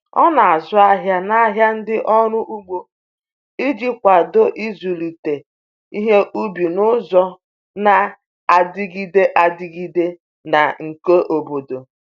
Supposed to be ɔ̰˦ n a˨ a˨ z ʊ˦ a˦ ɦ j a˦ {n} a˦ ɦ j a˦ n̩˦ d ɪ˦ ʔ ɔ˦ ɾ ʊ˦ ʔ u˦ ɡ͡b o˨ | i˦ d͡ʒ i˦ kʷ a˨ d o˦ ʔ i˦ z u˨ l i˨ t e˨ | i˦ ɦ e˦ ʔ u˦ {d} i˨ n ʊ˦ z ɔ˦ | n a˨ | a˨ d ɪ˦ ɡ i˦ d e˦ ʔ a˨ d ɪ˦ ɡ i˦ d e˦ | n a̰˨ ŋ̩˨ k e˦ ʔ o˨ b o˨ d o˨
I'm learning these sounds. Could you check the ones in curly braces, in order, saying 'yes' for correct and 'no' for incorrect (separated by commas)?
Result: yes, no